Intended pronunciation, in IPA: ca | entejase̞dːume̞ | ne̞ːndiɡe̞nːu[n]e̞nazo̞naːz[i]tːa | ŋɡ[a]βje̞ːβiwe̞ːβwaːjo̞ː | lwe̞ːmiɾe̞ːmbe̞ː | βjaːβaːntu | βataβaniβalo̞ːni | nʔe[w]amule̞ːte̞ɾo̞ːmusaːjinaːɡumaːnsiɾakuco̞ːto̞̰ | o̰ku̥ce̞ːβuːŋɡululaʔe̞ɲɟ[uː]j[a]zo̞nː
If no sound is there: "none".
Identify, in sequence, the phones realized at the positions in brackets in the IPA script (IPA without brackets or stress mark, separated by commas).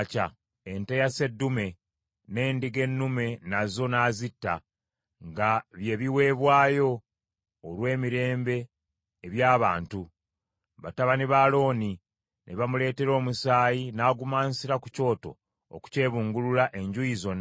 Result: m, i, a, β, u, i